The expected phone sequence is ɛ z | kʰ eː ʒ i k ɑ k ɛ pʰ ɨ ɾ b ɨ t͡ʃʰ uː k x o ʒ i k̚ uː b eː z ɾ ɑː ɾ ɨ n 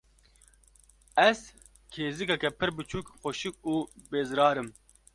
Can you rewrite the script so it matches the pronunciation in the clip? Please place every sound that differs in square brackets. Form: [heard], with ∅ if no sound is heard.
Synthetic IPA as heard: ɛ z | kʰ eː [z] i k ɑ k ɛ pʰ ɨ ɾ b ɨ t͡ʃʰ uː k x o [ʃ] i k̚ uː b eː z ɾ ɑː ɾ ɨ [m]